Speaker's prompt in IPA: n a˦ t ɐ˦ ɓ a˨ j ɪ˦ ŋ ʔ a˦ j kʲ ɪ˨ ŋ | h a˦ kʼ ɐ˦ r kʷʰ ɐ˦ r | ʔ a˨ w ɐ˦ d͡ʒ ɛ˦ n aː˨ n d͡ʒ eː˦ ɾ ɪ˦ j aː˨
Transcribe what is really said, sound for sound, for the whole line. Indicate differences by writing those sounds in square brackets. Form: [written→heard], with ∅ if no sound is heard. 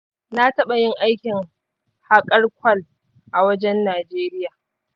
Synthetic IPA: n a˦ t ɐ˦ ɓ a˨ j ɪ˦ ŋ ʔ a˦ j kʲ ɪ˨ ŋ | h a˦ kʼ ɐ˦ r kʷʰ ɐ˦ [r→l] | ʔ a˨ w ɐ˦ d͡ʒ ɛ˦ [n→nː] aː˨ [n→∅] d͡ʒ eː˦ ɾ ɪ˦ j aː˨